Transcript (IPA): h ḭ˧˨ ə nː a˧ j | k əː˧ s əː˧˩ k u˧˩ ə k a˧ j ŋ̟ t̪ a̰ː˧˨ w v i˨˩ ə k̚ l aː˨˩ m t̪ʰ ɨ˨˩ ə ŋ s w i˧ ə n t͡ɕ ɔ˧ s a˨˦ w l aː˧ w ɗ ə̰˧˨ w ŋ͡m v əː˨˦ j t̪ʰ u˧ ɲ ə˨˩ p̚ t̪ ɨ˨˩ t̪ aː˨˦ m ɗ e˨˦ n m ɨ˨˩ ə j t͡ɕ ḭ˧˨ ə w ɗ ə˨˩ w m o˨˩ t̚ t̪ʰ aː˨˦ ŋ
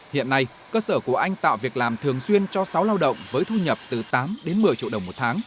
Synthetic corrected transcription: h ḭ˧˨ ə nː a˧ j | k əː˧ s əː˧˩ k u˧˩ ə ʔ a˧ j ŋ̟ t̪ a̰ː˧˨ w v i˨˩ ə k̚ l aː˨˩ m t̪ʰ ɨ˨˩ ə ŋ s w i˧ ə n t͡ɕ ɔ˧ s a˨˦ w l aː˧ w ɗ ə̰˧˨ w ŋ͡m v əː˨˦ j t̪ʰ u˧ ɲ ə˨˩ p̚ t̪ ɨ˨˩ t̪ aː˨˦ m ɗ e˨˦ n m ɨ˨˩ ə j t͡ɕ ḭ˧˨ ə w ɗ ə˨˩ w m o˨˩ t̚ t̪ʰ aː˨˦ ŋ